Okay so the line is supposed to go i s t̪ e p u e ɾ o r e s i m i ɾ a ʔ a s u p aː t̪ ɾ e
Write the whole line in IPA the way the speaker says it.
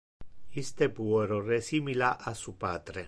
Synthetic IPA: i s t̪ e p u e ɾ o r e s i m i l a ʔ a s u p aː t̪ ɾ e